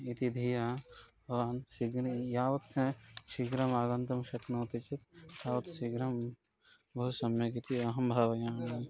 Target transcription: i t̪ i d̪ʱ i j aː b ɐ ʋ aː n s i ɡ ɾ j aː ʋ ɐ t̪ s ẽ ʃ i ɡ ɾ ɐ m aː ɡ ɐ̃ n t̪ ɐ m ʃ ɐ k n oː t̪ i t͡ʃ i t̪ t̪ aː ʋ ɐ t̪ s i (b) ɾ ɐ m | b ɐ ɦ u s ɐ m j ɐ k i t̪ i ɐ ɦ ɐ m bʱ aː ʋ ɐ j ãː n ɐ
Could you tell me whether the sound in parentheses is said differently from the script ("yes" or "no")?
yes